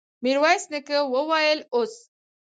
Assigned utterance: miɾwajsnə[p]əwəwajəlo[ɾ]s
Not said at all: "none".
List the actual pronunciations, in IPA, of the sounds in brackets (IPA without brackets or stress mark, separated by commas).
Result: k, none